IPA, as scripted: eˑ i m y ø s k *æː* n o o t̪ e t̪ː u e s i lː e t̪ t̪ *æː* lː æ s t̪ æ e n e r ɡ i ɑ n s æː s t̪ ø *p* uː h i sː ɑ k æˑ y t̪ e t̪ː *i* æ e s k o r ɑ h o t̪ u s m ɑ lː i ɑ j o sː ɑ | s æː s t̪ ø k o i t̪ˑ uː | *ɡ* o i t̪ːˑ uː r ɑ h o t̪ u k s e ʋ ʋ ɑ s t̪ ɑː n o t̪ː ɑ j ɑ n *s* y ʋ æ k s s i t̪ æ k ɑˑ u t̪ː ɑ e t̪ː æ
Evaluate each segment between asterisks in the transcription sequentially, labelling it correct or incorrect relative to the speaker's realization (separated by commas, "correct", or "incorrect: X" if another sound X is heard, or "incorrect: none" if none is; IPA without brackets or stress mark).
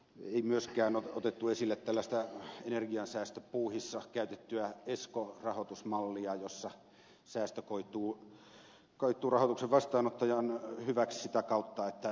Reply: correct, incorrect: æ, correct, incorrect: y, incorrect: k, incorrect: h